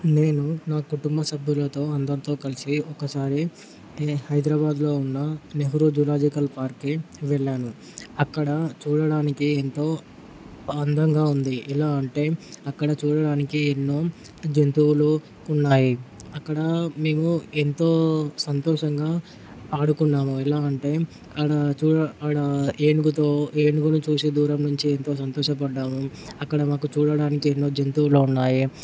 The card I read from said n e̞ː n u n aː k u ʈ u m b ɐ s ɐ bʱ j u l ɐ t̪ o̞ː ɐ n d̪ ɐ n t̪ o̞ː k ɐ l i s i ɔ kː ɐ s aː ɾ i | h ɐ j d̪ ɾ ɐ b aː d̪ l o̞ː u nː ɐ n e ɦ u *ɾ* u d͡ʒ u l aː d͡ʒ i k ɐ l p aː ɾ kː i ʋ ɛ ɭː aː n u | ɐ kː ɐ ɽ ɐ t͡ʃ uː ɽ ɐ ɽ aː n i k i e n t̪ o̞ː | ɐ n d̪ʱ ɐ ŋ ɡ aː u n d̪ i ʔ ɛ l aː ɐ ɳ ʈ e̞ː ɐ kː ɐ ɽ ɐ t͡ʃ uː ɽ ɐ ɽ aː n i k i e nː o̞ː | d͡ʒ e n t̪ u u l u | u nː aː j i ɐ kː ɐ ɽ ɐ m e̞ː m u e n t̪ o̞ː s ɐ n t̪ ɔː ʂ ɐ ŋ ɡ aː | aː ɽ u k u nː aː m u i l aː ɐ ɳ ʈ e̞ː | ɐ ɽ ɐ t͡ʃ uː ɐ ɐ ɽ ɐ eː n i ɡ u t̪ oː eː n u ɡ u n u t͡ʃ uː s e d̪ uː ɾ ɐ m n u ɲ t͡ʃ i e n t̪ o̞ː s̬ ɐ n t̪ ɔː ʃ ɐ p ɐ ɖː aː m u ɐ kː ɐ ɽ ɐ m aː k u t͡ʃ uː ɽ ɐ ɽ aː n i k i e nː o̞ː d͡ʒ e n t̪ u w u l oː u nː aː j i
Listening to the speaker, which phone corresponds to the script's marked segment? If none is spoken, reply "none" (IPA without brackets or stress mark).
ɾ